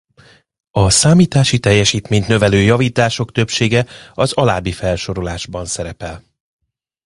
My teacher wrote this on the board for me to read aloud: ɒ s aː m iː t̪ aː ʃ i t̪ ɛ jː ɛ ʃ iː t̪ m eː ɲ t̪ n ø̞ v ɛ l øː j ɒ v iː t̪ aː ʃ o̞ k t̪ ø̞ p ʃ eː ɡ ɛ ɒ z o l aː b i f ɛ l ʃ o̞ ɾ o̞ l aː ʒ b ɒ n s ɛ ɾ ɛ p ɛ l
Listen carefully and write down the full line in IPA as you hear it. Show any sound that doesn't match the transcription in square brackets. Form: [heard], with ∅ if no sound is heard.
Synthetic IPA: ɒ s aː m iː t̪ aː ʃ i t̪ ɛ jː ɛ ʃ iː t̪ m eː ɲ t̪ n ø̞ v ɛ l øː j ɒ v iː t̪ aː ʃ o̞ k t̪ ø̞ p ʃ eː ɡ ɛ ɒ z [ɒ] l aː b i f ɛ l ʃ o̞ ɾ o̞ l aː ʒ b ɒ n s ɛ ɾ ɛ p ɛ l